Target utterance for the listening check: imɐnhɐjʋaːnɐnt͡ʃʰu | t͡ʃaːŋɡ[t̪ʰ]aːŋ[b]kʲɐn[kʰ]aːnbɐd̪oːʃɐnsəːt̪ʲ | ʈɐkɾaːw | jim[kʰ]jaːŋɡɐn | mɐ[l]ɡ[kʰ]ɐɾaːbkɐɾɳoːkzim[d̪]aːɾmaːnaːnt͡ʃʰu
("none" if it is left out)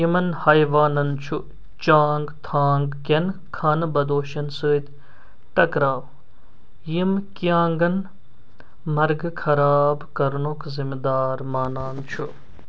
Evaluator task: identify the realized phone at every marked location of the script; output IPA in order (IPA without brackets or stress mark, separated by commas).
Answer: t̪ʰ, ɡ, kʰ, k, ɾ, kʰ, d̪